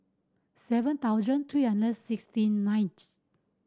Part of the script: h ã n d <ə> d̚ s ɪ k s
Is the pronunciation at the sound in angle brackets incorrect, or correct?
correct